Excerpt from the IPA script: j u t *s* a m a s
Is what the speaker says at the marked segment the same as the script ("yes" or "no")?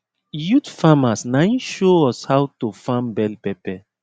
no